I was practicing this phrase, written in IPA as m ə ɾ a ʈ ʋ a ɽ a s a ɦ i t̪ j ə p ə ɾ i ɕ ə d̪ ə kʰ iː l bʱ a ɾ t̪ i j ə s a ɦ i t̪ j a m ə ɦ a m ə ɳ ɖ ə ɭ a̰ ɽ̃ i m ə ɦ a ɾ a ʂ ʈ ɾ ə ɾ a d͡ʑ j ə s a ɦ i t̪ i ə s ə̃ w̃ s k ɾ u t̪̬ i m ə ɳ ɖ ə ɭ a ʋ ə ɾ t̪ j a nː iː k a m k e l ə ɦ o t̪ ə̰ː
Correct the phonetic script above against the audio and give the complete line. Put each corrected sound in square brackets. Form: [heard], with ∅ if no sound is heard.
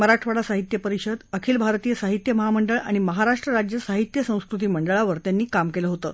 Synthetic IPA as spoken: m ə ɾ a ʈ ʋ a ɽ a s a ɦ i t̪ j ə p ə ɾ i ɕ ə d̪ ə kʰ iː l bʱ a ɾ t̪ i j ə s a ɦ i t̪ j [ə] m ə ɦ a m ə ɳ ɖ ə ɭ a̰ ɽ̃ i m ə ɦ a ɾ a ʂ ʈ ɾ ə ɾ a d͡ʑ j ə s a ɦ i t̪ [j] ə s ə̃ w̃ s k ɾ u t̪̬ [iː] m ə ɳ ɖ ə ɭ a ʋ ə ɾ t̪ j a nː iː k a m k e l ə ɦ o t̪ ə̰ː

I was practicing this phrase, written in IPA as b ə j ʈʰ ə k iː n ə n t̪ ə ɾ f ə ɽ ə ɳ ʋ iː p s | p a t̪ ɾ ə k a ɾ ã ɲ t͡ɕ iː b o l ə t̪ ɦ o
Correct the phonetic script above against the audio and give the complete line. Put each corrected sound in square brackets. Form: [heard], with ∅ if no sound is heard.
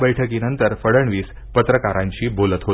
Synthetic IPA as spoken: b ə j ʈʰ ə k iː n ə n t̪ ə ɾ f ə ɽ ə ɳ ʋ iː [∅] s | p [ə] t̪ ɾ ə k a ɾ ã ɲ t͡ɕ iː b o l ə t̪ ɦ o

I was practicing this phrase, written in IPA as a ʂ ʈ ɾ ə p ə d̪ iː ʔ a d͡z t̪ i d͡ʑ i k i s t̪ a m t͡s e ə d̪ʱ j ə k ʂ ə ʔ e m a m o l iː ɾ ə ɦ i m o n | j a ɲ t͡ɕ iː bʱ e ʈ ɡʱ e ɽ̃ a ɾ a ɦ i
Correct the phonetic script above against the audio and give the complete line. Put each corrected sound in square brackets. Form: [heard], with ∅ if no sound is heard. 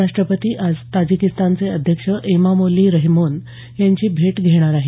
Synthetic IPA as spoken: a ʂ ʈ ɾ ə p ə [t̪] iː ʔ a d͡z t̪ [a] d͡ʑ i k i s t̪ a [n] t͡s e ə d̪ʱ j ə k ʂ ə ʔ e m a m o l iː ɾ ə ɦ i m o n | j a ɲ t͡ɕ iː bʱ e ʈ ɡʱ e ɽ̃ a ɾ a ɦ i

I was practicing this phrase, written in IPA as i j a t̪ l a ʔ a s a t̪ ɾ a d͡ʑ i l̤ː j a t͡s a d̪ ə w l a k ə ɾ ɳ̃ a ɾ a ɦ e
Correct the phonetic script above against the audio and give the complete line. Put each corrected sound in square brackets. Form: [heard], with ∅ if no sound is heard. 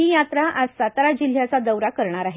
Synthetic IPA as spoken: i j a t̪ [ɾ] a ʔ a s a t̪ ɾ a d͡ʑ i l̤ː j a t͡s a d̪ ə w [ɾ] a k ə ɾ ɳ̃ a ɾ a ɦ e

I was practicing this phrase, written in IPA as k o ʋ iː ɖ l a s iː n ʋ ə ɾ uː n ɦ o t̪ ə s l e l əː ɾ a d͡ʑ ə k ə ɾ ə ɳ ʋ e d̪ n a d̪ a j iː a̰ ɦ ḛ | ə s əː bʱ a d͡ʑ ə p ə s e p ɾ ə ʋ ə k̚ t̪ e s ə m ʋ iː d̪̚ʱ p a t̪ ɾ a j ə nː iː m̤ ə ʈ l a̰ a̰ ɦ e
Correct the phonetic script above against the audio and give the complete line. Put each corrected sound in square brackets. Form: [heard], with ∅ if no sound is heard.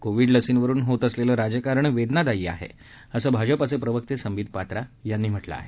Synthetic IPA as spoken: k o ʋ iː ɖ l [ə] s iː n ʋ ə ɾ uː n ɦ o t̪ ə s l e l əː ɾ a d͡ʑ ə k [a] ɾ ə ɳ ʋ e d̪ n a d̪ a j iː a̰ ɦ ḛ | ə s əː bʱ a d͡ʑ ə p ə s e p ɾ ə ʋ ə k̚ t̪ e s ə m ʋ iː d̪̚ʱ p a t̪ ɾ a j [a] nː iː m̤ ə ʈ l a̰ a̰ ɦ e

